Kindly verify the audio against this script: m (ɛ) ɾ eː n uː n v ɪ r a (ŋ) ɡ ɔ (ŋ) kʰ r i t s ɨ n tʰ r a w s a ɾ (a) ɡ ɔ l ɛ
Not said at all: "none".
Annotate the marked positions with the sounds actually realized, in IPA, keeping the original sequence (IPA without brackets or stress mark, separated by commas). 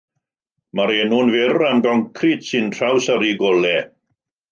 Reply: a, m, ŋ, i